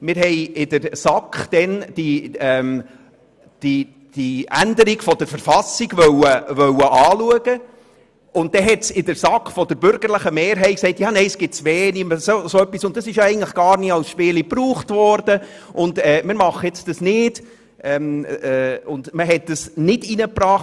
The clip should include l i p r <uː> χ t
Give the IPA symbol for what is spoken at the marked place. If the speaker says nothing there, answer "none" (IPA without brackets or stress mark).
uː